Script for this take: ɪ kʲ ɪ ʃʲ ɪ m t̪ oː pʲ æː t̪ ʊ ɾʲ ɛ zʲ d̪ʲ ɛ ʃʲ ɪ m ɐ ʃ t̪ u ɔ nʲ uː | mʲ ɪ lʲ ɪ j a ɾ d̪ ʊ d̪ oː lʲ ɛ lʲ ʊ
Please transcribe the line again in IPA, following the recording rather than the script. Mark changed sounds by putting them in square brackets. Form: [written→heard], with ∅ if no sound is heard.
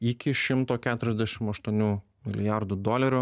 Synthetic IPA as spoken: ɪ kʲ ɪ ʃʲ ɪ m t̪ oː [pʲ→kʲ] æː t̪ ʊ ɾʲ ɛ zʲ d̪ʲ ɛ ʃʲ ɪ m ɐ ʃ t̪ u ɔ nʲ uː | mʲ ɪ lʲ ɪ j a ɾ d̪ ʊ d̪ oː lʲ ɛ [lʲ→ɾʲ] ʊ